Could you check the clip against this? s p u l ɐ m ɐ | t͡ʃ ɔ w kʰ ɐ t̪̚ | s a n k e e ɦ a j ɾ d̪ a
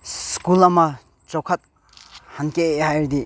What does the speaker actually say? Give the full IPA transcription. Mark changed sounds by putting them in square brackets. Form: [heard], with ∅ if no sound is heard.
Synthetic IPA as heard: s [k] u l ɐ m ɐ | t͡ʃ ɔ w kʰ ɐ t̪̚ | [h] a n k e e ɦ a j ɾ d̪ [i]